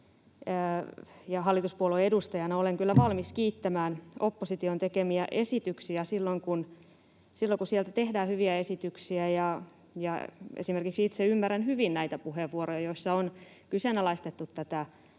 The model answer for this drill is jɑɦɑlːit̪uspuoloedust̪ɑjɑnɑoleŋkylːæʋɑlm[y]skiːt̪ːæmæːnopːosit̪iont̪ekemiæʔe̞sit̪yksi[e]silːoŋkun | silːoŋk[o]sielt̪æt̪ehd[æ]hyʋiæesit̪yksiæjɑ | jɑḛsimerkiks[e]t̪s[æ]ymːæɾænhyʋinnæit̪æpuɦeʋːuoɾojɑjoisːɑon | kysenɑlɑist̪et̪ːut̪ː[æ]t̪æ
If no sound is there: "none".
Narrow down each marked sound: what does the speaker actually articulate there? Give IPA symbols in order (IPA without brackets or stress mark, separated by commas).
i, æ, u, æː, i, e, æ